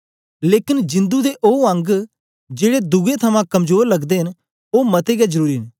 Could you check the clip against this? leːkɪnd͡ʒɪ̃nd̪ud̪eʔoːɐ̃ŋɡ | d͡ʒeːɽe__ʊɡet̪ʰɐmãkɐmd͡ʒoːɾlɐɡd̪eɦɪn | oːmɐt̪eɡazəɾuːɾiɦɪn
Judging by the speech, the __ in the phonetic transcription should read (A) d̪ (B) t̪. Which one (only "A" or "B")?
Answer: A